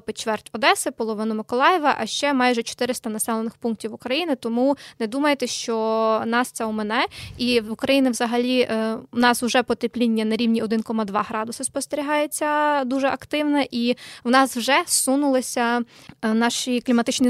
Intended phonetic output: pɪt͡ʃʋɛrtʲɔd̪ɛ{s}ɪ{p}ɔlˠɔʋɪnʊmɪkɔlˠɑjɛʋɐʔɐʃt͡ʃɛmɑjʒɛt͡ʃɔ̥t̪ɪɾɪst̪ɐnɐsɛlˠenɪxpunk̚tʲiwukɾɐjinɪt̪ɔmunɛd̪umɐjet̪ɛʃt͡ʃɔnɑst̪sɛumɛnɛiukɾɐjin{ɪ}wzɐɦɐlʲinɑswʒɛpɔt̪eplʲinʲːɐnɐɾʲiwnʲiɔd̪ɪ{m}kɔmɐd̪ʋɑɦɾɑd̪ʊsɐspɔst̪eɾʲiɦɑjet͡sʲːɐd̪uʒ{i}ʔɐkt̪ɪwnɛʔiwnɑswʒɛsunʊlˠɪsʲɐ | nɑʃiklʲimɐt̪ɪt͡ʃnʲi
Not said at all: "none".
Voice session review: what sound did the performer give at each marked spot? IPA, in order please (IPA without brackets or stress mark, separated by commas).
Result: s, p, ɪ, n, ɛ